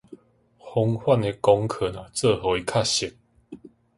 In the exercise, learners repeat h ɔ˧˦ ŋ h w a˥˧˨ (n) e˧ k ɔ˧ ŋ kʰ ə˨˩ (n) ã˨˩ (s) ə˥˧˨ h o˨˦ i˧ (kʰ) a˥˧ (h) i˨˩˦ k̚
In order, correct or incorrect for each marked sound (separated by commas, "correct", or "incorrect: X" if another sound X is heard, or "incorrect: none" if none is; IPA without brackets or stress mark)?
correct, correct, incorrect: t͡s, correct, incorrect: ɕ